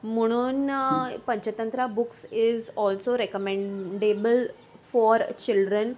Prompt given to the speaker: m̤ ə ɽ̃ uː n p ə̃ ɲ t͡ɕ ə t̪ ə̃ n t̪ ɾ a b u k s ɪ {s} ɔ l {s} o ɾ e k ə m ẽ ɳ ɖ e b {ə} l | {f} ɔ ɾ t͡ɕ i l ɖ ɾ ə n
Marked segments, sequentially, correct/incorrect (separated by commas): incorrect, correct, correct, correct